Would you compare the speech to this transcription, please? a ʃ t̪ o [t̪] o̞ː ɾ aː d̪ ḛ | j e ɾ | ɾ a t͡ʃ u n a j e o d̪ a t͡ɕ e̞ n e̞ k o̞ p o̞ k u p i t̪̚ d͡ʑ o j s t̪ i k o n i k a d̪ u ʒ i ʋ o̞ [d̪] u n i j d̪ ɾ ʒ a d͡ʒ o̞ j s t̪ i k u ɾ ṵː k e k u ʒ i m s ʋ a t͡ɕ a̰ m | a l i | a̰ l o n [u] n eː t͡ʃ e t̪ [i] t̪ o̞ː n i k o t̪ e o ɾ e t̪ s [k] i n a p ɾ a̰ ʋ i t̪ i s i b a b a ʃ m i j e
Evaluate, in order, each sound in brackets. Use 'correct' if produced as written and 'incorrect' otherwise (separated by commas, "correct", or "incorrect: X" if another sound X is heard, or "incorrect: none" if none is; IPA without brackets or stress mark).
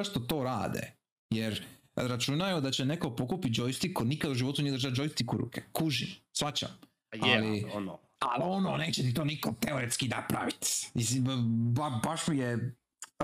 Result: correct, incorrect: t̪, incorrect: o, correct, correct